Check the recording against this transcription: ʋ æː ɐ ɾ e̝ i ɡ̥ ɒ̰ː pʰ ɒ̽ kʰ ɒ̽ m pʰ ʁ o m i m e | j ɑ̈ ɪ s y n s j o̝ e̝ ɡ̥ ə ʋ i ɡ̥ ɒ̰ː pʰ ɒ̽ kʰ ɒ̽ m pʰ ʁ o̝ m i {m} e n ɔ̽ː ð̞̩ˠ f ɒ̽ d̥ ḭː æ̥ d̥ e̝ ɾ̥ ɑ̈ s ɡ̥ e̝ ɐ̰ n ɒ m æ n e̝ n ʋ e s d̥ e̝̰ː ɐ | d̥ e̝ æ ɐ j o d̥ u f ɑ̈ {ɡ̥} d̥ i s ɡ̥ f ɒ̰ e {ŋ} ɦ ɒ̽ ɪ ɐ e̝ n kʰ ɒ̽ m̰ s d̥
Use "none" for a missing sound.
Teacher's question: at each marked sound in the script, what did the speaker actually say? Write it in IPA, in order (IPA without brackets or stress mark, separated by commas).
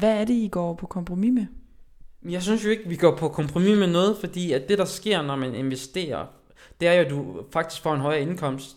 m, ɡ̥, n